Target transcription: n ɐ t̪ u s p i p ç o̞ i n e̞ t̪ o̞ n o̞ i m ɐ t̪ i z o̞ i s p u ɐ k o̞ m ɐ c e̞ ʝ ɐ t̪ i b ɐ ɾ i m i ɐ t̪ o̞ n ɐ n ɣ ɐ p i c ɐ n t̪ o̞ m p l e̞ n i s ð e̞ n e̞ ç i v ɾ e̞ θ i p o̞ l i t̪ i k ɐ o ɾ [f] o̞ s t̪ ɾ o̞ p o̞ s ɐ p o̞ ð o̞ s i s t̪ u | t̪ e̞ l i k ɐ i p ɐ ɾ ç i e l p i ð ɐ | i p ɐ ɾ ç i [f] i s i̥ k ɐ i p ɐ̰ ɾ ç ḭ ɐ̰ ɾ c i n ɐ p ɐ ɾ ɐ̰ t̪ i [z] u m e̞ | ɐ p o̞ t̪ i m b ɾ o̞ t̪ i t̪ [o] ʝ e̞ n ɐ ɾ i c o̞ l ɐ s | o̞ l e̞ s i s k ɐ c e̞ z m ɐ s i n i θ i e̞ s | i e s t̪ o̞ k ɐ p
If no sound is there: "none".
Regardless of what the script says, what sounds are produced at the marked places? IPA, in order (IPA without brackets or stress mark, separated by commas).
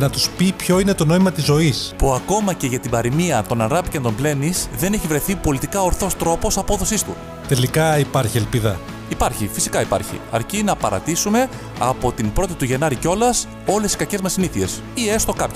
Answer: θ, f, s, u